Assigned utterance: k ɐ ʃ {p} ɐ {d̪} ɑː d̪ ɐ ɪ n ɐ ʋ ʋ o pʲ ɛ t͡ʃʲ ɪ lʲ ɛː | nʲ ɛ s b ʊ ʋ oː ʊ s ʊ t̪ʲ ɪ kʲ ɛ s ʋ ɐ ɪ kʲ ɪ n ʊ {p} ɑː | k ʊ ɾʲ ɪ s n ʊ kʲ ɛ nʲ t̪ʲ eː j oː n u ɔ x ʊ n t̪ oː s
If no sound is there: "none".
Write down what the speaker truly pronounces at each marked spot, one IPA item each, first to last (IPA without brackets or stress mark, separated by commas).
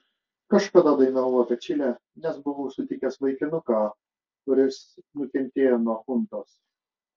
k, d̪, k